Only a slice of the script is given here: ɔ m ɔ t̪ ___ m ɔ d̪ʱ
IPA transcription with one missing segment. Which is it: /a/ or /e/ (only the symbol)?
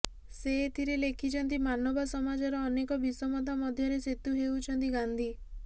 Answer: a